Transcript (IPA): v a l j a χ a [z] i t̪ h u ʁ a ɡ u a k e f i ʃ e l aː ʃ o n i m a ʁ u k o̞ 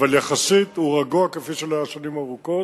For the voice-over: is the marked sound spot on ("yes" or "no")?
no